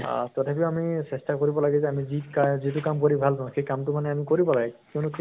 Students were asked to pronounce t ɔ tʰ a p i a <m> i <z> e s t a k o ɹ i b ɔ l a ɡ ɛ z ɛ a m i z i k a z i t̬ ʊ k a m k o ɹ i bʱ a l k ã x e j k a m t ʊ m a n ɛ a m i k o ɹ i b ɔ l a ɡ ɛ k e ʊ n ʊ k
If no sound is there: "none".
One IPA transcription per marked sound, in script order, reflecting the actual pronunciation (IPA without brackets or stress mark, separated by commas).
m, s